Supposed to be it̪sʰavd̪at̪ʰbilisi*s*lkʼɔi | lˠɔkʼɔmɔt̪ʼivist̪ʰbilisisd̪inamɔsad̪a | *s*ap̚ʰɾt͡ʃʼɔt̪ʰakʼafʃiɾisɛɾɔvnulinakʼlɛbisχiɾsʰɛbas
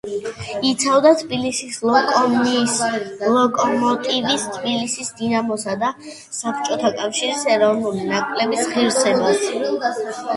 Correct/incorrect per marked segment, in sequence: correct, correct

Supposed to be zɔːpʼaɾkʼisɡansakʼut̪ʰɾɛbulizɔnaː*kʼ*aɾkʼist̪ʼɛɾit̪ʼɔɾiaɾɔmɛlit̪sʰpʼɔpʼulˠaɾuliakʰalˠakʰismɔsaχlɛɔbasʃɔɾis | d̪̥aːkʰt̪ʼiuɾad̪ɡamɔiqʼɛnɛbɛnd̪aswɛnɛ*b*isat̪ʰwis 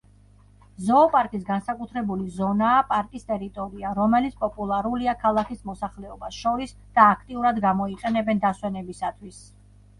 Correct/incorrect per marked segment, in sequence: incorrect, correct

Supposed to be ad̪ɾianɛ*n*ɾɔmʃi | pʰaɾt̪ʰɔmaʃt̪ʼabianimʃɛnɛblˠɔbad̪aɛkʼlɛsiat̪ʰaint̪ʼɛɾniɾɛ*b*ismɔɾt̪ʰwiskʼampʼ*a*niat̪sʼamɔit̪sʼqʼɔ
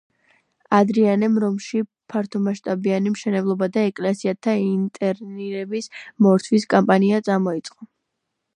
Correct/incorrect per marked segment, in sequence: incorrect, correct, correct

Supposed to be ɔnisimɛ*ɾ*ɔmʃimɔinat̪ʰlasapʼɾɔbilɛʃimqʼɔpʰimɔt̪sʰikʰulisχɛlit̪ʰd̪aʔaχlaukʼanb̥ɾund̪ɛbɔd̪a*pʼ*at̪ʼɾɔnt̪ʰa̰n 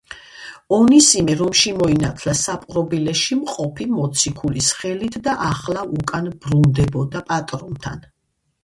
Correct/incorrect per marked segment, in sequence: correct, correct

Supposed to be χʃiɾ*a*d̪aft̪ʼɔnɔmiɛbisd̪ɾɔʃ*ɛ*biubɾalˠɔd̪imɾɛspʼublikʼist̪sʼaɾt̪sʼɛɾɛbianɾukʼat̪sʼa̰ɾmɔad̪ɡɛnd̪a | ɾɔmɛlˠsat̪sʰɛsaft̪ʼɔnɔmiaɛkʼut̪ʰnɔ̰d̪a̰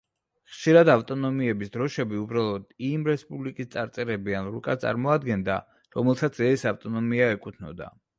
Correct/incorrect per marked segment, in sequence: correct, correct

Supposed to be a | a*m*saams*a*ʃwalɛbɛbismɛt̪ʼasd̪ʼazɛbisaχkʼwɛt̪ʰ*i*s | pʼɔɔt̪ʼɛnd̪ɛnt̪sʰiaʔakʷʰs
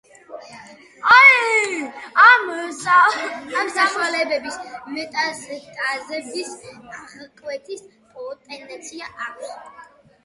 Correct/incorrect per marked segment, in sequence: correct, correct, correct

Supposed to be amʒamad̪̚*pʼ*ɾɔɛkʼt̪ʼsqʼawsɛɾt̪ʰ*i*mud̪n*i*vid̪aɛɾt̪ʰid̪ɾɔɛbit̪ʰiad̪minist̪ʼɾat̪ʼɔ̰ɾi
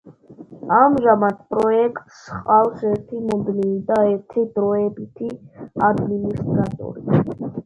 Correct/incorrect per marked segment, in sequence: correct, correct, correct

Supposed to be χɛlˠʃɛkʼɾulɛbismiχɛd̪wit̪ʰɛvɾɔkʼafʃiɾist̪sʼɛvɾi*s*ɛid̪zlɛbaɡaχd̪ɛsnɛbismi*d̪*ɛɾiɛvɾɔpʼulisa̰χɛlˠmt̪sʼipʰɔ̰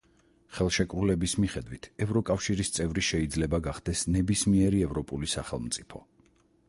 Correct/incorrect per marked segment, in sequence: incorrect, incorrect

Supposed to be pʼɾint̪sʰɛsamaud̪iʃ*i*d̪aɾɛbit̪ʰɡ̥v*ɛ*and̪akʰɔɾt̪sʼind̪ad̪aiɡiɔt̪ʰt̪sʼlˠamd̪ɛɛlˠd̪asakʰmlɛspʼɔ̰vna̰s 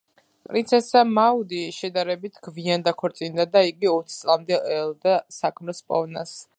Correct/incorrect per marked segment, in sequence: incorrect, incorrect

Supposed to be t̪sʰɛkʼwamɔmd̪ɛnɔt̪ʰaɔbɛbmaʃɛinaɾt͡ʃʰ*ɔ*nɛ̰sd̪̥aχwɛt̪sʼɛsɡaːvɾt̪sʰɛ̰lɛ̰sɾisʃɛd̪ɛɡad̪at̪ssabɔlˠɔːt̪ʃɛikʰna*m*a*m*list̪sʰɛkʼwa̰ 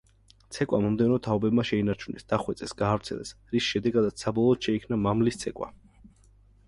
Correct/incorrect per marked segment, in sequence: incorrect, correct, correct

